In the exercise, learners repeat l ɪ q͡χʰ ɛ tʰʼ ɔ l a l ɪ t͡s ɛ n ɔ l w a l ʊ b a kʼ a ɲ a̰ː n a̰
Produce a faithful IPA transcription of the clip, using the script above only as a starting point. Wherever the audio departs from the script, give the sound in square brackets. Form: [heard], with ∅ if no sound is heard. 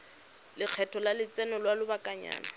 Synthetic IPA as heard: l ɪ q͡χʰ ɛ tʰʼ ɔ l a l ɪ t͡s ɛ n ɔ l w a l ʊ b a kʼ a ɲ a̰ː n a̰